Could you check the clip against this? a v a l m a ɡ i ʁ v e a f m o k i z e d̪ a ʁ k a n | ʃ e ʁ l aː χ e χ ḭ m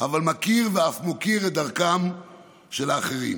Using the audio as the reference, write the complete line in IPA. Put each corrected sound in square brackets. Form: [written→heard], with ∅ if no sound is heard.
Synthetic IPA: a v a l m a [ɡ→k] i ʁ v e a f m o k i [z→ʁ] e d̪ a ʁ k a [n→m] | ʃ e [ʁ→∅] l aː χ e [χ→ʁ] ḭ m